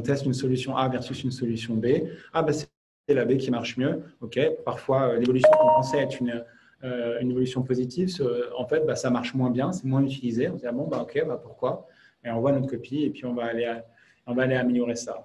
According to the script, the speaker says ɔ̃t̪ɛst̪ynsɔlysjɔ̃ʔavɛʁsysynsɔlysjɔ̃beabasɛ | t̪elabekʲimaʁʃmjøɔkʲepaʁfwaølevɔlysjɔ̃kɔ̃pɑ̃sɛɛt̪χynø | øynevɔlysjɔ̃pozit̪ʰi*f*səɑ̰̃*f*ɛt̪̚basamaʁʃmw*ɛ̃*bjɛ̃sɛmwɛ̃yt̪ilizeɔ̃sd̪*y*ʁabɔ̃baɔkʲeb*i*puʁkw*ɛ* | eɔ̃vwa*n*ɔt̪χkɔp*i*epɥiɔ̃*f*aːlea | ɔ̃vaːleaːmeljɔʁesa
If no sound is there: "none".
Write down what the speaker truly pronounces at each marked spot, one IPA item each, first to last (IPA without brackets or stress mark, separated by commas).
v, f, ɛ̃, i, a, a, n, i, v